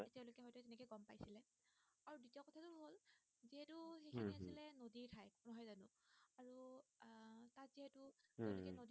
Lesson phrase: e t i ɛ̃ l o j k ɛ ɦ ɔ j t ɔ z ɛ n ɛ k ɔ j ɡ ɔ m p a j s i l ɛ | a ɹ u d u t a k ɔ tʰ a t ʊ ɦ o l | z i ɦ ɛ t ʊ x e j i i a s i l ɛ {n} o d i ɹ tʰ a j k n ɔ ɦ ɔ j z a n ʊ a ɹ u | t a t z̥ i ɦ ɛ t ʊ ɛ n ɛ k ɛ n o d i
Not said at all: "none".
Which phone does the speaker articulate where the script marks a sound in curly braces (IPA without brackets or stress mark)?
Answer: n